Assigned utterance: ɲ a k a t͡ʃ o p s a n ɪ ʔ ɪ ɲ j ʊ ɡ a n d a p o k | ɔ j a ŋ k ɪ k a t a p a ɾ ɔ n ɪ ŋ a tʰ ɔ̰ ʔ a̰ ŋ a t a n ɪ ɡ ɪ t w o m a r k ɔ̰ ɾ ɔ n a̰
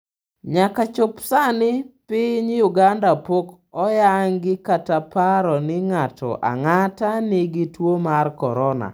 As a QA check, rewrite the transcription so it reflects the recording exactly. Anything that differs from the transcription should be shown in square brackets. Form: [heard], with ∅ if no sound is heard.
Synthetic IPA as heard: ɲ a k a t͡ʃ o p s a n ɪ [p] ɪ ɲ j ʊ ɡ a n d a p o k | ɔ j a ŋ [ɡ] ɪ k a t a p a ɾ ɔ n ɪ ŋ a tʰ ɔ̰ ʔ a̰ ŋ a t a n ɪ ɡ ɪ t w o m a r k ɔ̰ ɾ ɔ n a̰